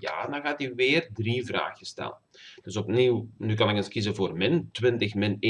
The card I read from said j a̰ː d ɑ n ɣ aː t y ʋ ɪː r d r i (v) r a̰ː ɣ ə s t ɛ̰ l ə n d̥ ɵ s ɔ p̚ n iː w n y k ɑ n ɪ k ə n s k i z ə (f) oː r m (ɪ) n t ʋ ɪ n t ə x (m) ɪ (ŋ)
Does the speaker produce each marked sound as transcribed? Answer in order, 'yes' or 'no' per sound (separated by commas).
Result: yes, no, yes, yes, no